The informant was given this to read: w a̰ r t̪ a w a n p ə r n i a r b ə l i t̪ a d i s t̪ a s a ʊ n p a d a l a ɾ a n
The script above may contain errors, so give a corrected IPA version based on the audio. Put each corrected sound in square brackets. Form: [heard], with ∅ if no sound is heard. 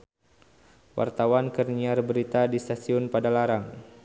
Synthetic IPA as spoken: w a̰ r t̪ a w a n [k] ə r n i a r b ə [ɾ] i t̪ a d i s t̪ a s [i] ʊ n p a d a l a ɾ a [ŋ]